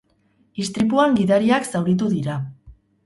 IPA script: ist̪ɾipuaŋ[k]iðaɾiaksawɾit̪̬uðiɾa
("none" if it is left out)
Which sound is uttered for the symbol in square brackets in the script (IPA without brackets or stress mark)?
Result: ɡ